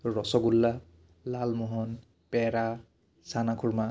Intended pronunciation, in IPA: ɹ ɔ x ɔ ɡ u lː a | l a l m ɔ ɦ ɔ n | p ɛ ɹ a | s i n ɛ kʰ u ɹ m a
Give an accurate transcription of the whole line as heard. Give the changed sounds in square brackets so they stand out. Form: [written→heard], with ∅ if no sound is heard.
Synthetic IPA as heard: ɹ ɔ [x→s] ɔ ɡ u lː a | l a l m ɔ ɦ ɔ n | p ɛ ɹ a | s [i→a] n [ɛ→a] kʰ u ɹ m a